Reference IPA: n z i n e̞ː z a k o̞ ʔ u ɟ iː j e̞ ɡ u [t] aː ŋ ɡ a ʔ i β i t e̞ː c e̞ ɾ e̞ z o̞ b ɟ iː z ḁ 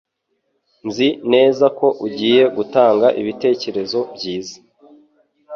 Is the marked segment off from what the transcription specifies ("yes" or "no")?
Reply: no